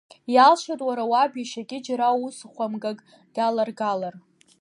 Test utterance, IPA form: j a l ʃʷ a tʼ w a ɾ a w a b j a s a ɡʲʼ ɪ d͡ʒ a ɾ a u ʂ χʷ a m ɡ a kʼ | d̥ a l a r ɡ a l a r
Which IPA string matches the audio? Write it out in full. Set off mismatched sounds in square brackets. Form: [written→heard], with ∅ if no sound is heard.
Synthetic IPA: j a l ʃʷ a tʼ w a ɾ a w a b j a [s→ʃ] a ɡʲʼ ɪ d͡ʒ a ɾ a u [ʂ→s] χʷ a m ɡ a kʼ | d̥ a l a r ɡ a l a r